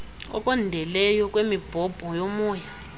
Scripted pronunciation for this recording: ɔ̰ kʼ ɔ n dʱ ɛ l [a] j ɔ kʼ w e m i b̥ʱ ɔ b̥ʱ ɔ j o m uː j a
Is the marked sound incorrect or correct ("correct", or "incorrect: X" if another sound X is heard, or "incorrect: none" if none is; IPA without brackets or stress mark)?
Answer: incorrect: ɛ